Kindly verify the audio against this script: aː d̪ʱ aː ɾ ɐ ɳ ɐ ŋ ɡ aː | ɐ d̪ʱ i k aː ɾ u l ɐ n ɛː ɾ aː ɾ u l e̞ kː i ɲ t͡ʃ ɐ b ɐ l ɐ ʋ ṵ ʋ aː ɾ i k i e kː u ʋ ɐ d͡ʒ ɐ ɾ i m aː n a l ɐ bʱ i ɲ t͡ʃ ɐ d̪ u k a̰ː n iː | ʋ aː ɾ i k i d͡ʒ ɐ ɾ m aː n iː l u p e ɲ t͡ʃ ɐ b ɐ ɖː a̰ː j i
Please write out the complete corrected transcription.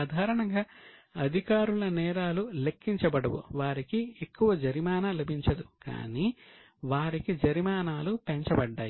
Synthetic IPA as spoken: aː d̪ʱ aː ɾ ɐ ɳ ɐ ŋ ɡ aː | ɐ d̪ʱ i k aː ɾ u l ɐ n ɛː ɾ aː l u l e̞ kː i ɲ t͡ʃ ɐ b ɐ ɽ ɐ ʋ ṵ ʋ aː ɾ i k i e kː u ʋ ɐ d͡ʒ ɐ ɾ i m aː n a l ɐ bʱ i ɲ t͡ʃ ɐ d̪ u k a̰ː n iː | ʋ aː ɾ i k i d͡ʒ ɐ ɾ m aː n aː l u p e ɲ t͡ʃ ɐ b ɐ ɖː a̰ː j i